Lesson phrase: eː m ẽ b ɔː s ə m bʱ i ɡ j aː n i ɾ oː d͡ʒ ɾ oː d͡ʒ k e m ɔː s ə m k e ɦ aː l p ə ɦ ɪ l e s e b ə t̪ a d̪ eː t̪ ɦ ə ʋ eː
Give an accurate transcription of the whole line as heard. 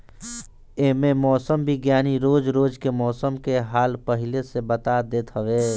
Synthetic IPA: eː m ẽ m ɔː s ə m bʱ i ɡ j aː n i ɾ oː d͡ʒ ɾ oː d͡ʒ k e m ɔː s ə m k e ɦ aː l p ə ɦ ɪ l e s e b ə t̪ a d̪ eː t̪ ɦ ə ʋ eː